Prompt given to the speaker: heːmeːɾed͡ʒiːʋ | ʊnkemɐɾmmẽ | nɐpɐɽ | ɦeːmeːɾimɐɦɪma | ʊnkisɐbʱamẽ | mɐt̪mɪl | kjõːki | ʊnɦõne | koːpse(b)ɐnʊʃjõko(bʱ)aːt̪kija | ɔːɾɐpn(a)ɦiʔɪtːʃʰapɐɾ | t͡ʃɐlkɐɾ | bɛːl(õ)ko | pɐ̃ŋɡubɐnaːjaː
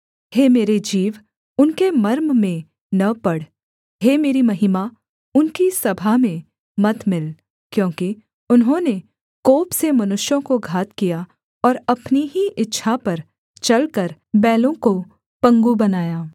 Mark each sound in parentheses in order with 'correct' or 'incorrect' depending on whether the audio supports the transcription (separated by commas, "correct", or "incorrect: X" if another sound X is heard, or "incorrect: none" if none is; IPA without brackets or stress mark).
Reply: incorrect: m, incorrect: ɡʱ, incorrect: i, correct